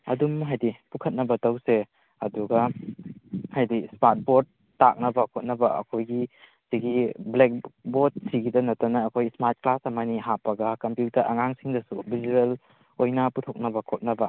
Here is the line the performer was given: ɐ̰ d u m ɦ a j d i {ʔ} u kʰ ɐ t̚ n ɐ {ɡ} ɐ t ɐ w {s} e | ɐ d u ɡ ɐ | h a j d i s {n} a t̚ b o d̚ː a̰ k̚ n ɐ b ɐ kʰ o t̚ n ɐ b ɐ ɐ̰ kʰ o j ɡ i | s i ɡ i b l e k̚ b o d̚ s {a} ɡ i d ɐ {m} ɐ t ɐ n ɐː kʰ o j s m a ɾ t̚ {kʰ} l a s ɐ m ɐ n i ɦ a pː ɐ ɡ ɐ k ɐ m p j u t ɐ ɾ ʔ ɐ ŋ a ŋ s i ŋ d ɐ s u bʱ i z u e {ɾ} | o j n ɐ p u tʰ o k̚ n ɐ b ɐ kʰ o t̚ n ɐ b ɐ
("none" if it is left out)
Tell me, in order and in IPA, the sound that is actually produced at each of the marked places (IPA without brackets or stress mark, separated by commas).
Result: p, b, s, m, i, n, k, l